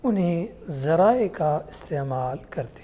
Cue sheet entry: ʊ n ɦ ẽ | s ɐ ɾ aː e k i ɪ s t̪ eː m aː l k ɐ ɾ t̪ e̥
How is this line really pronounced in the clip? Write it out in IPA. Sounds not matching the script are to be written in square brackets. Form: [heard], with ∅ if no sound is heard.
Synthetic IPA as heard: ʊ n ɦ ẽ | [z] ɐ ɾ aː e k [a] ɪ s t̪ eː m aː l k ɐ ɾ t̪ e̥